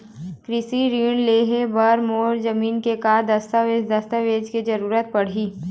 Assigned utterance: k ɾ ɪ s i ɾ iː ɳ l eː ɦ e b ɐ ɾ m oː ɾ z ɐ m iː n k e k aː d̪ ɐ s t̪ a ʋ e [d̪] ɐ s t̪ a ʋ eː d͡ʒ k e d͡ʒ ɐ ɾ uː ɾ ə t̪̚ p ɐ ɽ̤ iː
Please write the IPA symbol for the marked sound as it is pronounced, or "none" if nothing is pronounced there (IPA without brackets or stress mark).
d̪